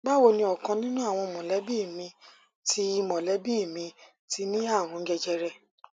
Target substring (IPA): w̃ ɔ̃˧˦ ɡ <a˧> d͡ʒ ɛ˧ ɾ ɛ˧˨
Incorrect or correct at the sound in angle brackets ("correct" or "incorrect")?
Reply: incorrect